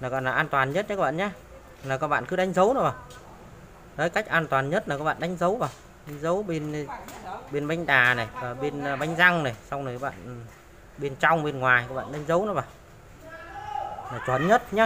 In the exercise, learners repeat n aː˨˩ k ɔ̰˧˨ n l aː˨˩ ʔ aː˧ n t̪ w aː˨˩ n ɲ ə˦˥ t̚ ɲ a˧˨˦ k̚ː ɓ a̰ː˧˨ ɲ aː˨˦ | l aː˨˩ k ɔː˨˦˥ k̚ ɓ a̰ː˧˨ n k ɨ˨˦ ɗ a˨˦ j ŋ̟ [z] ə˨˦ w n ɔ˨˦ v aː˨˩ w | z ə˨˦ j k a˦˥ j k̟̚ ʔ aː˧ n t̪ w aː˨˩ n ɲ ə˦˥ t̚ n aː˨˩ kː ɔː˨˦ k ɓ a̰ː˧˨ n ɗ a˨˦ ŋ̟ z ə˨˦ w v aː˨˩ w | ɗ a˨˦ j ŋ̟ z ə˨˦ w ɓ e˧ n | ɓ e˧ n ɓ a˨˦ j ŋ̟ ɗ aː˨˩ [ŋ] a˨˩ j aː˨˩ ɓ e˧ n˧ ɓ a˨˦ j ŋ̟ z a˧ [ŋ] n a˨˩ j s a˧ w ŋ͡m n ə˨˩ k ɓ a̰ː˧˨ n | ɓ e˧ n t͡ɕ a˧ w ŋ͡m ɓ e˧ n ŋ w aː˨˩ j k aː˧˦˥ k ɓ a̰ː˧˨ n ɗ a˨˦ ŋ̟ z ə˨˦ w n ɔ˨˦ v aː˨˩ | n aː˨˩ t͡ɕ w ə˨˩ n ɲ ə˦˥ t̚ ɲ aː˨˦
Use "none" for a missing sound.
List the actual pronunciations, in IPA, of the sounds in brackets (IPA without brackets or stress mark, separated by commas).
z, n, ŋ